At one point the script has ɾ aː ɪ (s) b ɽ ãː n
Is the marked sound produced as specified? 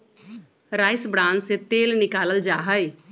yes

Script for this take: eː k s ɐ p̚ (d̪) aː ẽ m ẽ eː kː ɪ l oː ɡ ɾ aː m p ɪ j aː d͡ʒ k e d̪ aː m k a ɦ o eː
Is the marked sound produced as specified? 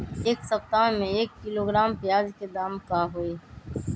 no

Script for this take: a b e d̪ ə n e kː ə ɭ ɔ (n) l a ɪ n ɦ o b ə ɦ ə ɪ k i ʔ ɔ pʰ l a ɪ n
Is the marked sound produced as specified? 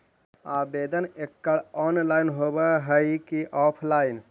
yes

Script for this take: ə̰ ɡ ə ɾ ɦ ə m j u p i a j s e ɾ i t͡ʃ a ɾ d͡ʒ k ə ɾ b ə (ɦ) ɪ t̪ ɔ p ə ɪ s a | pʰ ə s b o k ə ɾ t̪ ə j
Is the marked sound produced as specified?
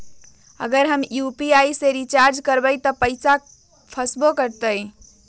no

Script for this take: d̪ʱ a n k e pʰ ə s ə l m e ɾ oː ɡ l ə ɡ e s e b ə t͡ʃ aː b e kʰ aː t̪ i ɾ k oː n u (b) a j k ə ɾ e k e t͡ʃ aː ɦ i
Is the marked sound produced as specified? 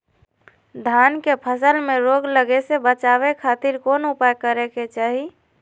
no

